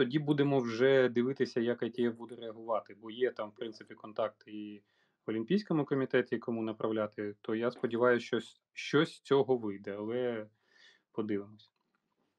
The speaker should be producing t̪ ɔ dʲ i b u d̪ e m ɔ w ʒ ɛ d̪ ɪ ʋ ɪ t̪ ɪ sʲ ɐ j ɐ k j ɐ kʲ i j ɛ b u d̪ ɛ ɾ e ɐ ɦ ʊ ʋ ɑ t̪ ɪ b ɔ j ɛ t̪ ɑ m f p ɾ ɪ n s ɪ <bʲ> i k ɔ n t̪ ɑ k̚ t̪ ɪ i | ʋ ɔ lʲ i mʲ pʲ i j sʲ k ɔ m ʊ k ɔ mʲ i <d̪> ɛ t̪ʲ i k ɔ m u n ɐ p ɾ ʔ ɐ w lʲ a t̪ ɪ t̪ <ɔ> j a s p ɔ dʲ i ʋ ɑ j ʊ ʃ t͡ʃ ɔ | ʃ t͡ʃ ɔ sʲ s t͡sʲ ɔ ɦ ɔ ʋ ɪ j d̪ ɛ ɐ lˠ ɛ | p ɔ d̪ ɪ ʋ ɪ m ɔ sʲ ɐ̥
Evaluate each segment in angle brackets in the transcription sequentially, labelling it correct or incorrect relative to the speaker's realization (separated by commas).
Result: incorrect, incorrect, correct